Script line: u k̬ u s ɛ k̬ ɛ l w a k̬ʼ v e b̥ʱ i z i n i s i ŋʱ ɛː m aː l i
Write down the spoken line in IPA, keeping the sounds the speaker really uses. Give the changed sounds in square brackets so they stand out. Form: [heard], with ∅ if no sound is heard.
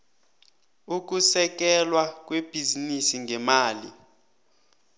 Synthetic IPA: u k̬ u s ɛ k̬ ɛ l w a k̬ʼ [w] e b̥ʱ i z i n i s i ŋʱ [ɛ] m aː l i